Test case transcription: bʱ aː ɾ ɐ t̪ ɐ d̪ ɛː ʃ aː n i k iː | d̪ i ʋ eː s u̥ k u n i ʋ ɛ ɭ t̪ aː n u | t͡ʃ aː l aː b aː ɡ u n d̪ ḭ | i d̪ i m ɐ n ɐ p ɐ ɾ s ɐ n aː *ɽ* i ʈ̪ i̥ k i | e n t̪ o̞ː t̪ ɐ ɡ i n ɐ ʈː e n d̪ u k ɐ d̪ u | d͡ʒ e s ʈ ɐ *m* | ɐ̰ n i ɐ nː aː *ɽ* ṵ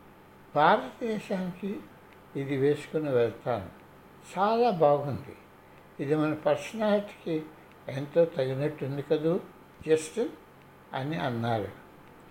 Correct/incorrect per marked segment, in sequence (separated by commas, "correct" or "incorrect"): incorrect, incorrect, incorrect